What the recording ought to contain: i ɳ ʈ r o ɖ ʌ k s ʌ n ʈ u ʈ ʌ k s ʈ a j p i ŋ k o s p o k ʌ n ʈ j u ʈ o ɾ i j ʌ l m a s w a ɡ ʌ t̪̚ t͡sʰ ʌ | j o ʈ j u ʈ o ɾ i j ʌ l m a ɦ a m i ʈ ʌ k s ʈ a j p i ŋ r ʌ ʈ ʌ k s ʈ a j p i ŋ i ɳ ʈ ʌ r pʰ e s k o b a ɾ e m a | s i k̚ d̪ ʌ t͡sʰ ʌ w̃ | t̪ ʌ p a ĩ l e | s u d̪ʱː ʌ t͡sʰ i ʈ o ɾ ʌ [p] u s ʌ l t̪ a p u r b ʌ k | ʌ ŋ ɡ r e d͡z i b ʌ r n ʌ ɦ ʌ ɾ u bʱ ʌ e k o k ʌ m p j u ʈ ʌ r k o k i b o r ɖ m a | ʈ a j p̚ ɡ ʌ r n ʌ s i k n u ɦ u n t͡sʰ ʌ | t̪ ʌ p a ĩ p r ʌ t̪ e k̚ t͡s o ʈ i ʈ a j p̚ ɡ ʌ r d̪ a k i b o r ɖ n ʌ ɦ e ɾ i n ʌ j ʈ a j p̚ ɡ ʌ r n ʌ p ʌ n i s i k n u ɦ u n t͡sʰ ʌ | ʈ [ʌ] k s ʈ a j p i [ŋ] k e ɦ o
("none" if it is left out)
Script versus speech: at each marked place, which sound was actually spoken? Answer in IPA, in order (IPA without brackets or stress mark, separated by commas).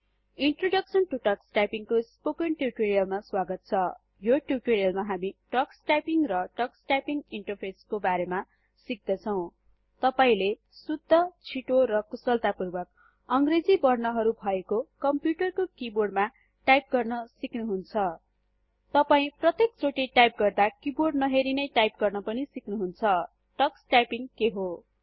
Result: k, ʌ, ŋ